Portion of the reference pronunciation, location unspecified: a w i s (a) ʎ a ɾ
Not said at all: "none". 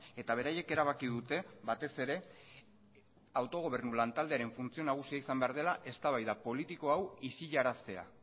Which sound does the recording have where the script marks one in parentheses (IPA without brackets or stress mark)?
i